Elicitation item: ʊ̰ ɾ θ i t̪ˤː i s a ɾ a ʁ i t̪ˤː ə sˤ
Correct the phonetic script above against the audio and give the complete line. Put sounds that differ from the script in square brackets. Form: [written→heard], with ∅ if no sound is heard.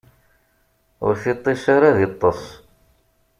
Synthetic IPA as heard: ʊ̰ ɾ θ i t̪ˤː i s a ɾ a [ʁ→ð] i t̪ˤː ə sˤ

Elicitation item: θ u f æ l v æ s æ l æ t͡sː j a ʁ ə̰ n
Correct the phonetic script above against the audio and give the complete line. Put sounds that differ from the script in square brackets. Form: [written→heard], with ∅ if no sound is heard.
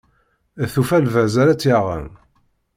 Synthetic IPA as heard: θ u f æ l v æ [s→z] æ [l→ɾ] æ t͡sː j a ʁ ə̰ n

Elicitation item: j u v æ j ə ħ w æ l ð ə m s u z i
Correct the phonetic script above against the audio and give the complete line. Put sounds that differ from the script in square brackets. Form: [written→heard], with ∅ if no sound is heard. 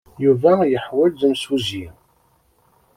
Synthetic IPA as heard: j u v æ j ə ħ w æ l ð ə m s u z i

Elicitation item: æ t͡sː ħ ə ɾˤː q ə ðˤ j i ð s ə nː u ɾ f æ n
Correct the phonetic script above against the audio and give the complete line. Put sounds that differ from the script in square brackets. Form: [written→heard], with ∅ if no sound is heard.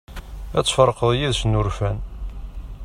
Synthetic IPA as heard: æ t͡sː [ħ→f] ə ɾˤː q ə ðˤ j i ð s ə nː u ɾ f æ n

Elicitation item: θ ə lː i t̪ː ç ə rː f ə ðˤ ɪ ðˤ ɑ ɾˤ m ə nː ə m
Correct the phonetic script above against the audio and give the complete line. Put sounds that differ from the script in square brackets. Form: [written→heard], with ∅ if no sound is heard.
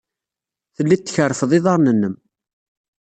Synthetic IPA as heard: θ ə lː i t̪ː ç ə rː f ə ðˤ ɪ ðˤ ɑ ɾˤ [m→n] ə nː ə m

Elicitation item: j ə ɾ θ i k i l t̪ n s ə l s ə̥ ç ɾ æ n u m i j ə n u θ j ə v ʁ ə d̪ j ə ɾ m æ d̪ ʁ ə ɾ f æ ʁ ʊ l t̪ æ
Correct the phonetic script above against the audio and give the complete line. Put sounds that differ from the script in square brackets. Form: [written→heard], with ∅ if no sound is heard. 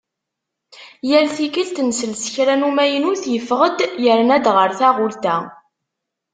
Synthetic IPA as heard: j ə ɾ θ i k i l t̪ n s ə l s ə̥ ç ɾ æ n u m [i→æ] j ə n u θ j ə [v→f] ʁ ə d̪ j ə ɾ [m→n] æ d̪ ʁ ə ɾ [f→θ] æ ʁ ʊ l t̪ æ

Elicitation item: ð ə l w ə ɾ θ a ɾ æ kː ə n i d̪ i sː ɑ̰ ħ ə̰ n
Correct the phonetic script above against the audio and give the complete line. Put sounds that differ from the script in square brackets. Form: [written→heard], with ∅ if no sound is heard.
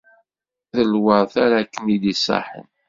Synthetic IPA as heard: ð ə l w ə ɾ θ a ɾ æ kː ə n i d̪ i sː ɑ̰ ħ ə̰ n

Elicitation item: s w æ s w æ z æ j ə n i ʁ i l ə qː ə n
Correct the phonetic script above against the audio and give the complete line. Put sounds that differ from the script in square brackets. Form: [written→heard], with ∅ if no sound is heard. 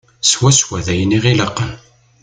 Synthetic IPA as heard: s w æ s w æ [z→ð] æ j ə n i ʁ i l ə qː ə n

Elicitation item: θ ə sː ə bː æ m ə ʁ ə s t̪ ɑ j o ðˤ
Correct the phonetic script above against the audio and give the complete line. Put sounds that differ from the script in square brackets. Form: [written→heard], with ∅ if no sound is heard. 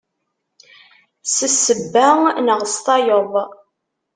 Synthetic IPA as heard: [θ→s] ə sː ə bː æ [m→n] ə ʁ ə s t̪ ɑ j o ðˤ

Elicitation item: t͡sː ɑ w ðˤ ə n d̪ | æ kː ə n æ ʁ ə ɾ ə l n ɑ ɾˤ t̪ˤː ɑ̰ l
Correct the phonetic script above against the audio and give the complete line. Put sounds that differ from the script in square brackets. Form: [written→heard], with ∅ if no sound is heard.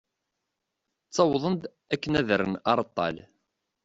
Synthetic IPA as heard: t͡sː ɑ w ðˤ ə n d̪ | æ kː ə n æ [ʁ→ð] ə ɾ ə [l→∅] n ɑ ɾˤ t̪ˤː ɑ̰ l

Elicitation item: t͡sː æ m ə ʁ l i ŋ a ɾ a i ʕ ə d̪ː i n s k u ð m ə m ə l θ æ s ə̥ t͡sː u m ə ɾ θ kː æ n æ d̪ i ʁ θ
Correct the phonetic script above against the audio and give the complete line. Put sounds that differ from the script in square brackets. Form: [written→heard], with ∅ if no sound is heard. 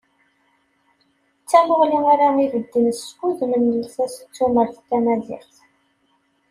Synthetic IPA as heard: t͡sː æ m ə ʁ l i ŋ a ɾ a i [ʕ→v] ə d̪ː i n s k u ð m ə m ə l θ æ s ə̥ t͡sː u m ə ɾ θ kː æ n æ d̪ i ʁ θ

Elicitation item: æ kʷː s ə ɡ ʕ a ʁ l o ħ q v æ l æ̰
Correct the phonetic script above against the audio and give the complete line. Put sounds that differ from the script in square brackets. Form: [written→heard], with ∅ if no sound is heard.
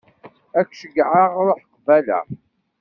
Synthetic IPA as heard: æ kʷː [s→ʃ] ə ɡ ʕ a ʁ [l→ɾ] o ħ q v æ l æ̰

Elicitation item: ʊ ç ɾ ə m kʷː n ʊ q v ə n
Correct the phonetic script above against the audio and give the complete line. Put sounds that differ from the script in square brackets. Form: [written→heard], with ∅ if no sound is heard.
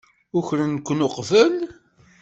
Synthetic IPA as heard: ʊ ç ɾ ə [m→n] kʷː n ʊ q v ə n

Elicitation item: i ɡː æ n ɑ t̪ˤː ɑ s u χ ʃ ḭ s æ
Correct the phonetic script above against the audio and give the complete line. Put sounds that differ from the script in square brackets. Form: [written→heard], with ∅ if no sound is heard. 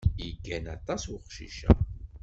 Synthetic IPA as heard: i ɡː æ n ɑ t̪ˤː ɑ s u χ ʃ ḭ [s→ʃ] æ

